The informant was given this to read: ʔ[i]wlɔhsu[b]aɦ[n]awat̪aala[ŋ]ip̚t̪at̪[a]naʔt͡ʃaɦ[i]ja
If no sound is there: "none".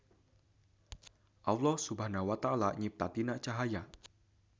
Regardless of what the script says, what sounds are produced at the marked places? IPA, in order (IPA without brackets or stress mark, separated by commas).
a, b, n, ɲ, i, a